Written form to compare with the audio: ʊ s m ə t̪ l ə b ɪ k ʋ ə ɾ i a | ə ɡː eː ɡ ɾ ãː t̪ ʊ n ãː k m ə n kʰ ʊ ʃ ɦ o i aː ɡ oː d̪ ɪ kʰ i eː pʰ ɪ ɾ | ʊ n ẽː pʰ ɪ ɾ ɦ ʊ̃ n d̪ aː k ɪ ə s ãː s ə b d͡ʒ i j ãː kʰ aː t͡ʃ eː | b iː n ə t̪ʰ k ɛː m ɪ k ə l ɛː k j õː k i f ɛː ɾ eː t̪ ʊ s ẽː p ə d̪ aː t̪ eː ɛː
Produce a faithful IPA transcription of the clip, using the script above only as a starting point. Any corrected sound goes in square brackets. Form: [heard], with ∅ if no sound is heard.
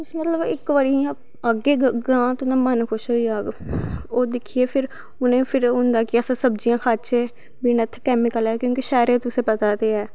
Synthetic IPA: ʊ s m ə t̪ l ə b ɪ k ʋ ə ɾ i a | ə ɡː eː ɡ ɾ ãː t̪ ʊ n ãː [∅] m ə n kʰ ʊ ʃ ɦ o i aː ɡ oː d̪ ɪ kʰ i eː pʰ ɪ ɾ | ʊ n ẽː pʰ ɪ ɾ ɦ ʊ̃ n d̪ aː k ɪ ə s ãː s ə b d͡ʒ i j ãː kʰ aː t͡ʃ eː | b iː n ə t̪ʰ k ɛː m ɪ k ə l ɛː k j õː k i [ʃ] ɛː ɾ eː t̪ ʊ s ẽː p ə [t̪] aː t̪ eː ɛː